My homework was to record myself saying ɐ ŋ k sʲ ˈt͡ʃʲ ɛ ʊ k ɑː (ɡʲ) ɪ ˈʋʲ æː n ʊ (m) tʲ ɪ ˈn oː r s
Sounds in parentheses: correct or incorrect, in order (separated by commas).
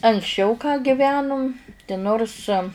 correct, correct